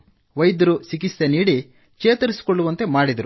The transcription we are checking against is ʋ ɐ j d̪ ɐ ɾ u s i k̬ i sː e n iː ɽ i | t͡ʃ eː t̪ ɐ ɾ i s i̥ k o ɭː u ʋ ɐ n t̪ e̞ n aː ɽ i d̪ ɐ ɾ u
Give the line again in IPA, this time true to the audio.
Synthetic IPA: ʋ ɐ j d̪ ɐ ɾ u s i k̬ i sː e n iː ɽ i | t͡ʃ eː t̪ ɐ ɾ i s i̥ k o ɭː u ʋ ɐ n t̪ e̞ m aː ɽ i d̪ ɐ ɾ u